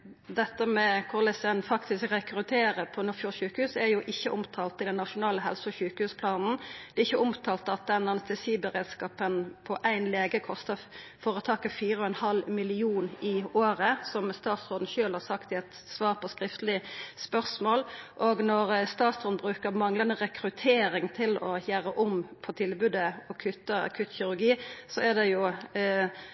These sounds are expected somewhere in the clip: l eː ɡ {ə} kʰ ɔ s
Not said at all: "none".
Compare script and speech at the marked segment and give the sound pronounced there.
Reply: ə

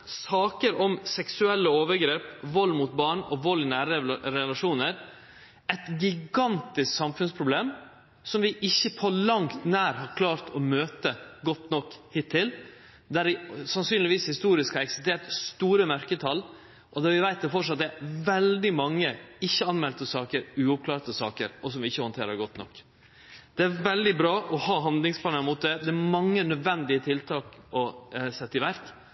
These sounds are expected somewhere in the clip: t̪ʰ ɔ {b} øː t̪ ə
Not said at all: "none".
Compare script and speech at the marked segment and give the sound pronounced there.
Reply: m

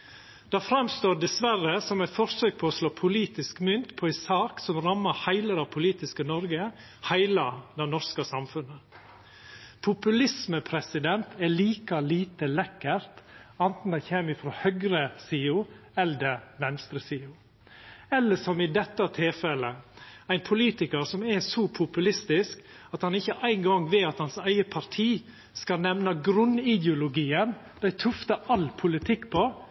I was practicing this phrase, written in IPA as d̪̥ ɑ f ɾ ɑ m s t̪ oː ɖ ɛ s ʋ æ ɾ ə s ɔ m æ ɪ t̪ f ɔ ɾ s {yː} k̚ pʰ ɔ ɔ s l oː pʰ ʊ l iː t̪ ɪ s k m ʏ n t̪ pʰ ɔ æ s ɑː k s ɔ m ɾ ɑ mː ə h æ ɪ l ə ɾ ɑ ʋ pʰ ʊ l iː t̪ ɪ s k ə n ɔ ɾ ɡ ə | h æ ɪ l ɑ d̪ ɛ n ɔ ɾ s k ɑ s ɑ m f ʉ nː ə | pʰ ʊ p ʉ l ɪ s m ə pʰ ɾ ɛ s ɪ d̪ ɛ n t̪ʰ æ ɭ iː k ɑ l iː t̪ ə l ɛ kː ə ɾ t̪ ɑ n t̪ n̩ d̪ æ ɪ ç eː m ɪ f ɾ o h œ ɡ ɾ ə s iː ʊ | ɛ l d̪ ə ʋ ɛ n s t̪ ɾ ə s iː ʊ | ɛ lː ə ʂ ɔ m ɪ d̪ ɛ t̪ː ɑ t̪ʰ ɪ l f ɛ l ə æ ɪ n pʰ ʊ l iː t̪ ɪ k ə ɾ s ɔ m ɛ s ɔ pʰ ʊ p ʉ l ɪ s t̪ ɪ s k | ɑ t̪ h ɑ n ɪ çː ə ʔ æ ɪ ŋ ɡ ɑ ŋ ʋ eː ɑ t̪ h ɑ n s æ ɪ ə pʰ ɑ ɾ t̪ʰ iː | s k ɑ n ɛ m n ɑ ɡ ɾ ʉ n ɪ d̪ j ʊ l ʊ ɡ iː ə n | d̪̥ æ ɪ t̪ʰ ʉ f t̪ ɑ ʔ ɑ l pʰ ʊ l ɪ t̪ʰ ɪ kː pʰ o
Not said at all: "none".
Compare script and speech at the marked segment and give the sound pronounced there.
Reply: øː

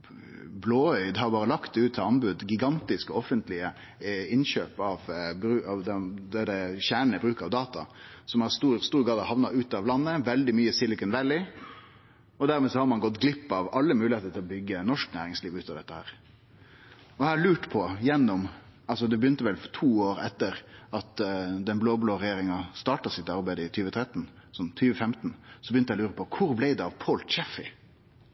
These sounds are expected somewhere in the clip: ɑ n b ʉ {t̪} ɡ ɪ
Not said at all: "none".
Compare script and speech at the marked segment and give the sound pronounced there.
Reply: d̪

